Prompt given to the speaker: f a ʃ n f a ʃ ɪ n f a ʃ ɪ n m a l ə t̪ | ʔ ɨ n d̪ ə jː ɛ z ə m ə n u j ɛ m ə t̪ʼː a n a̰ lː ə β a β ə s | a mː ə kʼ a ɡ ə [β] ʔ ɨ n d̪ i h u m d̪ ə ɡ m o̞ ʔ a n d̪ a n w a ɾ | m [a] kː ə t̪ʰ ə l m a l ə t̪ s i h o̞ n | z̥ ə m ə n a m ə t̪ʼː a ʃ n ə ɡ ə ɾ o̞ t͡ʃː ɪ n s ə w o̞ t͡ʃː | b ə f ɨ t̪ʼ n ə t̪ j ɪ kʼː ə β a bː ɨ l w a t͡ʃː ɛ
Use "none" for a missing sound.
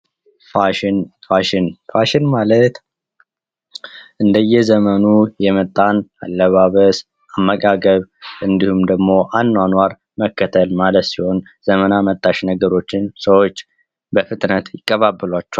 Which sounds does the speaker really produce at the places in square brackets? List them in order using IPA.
β, ə

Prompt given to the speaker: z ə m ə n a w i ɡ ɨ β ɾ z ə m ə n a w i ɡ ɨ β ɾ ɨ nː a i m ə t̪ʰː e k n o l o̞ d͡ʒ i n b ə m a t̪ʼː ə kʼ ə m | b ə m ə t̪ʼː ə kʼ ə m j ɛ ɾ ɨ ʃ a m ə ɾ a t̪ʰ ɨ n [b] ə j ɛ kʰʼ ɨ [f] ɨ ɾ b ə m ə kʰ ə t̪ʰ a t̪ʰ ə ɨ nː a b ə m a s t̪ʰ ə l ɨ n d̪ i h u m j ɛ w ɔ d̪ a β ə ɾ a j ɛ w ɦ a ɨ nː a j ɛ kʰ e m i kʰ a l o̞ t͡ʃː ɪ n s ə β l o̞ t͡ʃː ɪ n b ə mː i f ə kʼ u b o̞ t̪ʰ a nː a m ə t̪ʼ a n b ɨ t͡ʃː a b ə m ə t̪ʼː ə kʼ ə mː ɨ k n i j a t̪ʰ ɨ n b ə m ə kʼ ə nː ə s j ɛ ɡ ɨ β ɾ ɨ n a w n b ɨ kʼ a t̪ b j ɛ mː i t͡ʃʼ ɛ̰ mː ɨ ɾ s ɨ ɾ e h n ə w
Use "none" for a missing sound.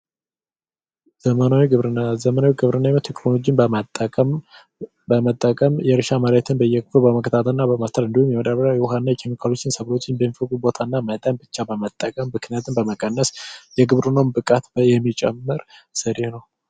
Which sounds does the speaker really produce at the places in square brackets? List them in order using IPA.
b, f

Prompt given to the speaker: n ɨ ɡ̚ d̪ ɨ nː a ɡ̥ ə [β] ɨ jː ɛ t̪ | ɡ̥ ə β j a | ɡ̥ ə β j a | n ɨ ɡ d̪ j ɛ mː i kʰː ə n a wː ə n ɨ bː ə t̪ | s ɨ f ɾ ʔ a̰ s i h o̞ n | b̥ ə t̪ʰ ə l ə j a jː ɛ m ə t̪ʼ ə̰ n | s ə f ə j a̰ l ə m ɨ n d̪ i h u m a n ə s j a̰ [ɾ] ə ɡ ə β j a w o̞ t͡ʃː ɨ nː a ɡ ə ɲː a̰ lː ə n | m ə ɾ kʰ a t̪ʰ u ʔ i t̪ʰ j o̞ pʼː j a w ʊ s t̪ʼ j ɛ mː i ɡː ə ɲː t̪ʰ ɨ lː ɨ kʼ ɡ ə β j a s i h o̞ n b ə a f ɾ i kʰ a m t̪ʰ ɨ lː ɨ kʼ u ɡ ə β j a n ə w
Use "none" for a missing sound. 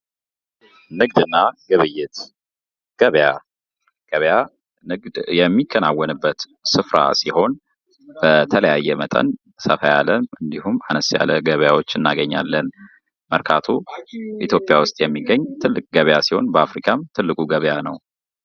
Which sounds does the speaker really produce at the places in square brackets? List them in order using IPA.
β, l

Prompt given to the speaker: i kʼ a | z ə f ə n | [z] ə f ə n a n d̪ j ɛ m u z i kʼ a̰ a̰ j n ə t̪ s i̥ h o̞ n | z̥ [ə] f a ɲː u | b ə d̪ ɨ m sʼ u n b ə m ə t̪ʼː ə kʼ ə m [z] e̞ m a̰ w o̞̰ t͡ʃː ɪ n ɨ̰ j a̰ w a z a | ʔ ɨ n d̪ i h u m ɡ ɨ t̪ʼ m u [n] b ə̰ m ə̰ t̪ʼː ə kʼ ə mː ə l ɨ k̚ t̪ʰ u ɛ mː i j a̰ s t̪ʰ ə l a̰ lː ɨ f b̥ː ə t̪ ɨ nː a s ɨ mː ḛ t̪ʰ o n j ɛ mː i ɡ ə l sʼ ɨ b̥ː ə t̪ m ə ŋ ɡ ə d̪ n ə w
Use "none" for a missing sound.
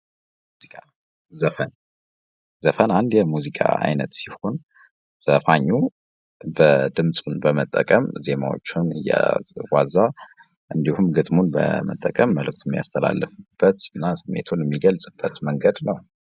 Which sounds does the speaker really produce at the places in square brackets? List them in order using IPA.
z, ə, z, n

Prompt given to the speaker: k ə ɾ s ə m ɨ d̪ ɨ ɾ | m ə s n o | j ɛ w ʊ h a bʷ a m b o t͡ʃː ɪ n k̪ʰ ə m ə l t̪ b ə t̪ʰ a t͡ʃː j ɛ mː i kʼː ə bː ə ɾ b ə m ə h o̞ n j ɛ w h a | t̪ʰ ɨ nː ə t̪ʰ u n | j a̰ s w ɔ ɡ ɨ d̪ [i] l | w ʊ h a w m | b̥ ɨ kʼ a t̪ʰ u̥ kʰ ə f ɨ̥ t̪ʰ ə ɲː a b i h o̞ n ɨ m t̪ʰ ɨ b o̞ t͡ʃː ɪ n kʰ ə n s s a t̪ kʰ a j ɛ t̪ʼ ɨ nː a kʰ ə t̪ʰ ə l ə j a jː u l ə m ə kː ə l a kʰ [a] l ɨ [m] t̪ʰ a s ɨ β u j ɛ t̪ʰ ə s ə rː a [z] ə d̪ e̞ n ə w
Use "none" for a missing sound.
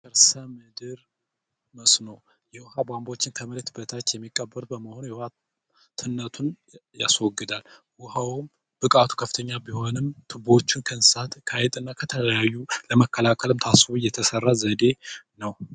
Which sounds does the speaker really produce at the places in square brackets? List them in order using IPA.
a, ə, m, z

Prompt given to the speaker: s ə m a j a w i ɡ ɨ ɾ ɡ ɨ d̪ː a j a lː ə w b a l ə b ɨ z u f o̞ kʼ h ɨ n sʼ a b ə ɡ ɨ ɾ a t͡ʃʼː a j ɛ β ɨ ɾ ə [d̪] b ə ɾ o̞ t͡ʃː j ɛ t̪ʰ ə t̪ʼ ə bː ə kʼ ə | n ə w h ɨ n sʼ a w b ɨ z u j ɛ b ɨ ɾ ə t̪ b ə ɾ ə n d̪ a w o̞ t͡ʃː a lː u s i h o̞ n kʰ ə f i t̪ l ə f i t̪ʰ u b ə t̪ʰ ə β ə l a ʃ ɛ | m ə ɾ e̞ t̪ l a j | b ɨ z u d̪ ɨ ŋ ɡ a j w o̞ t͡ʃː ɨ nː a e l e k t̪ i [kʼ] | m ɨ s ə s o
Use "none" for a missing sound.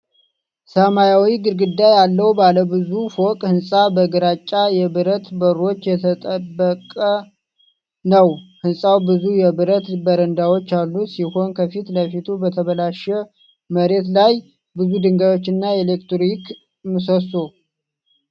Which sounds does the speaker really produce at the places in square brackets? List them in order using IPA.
t̪, k

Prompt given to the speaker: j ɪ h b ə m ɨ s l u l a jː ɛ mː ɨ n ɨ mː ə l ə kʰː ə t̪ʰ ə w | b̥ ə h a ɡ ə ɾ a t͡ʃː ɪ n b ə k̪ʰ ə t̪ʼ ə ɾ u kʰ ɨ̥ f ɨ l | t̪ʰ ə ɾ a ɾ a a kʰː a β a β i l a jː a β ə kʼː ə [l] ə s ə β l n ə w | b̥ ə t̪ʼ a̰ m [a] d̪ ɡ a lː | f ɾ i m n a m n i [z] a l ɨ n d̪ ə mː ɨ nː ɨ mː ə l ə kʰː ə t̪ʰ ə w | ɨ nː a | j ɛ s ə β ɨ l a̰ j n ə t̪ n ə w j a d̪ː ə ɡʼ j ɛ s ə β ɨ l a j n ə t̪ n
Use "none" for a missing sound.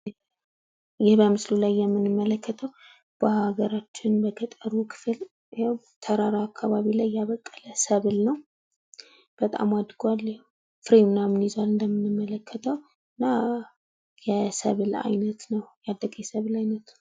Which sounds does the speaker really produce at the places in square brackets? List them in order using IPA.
l, a, z

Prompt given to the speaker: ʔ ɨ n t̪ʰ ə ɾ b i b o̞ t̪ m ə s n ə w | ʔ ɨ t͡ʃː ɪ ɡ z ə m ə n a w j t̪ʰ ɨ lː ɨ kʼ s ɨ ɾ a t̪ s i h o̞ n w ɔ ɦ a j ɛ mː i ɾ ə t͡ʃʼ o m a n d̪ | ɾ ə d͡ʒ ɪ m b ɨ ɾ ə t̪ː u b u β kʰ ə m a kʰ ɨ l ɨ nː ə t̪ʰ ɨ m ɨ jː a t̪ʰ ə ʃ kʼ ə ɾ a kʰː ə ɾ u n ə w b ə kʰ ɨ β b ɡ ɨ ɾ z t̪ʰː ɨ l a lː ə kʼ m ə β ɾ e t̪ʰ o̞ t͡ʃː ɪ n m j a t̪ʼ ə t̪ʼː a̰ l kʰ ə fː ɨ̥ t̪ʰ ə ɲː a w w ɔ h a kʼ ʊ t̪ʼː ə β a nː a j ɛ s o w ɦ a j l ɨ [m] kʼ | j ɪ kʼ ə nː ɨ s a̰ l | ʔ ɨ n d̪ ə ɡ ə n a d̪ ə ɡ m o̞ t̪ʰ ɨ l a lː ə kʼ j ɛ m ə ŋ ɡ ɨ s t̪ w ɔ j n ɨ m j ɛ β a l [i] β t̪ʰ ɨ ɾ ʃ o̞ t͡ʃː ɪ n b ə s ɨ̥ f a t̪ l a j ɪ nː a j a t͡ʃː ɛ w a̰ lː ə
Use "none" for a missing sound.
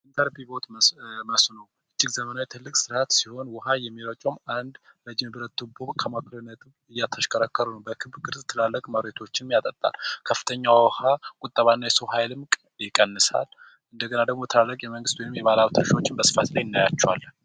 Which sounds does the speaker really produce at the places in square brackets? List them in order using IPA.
m, a

